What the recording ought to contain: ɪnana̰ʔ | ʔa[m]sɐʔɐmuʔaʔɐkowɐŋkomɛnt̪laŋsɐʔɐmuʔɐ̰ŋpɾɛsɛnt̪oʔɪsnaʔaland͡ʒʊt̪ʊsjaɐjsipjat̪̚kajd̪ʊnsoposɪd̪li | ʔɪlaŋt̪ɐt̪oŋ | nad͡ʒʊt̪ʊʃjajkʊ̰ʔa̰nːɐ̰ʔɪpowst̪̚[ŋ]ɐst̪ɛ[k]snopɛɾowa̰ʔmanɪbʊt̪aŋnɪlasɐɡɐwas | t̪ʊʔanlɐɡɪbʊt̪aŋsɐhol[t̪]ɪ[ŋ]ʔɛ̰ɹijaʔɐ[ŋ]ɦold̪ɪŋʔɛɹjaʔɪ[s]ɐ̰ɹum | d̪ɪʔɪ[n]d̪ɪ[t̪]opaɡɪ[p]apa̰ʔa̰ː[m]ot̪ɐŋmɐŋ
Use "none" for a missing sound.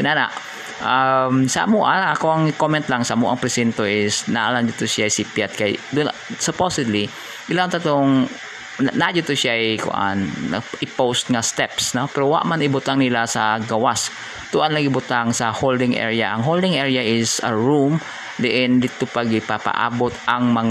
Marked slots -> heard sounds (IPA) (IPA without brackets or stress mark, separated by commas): m, ŋ, p, d̪, ŋ, ŋ, s, n, t̪, p, b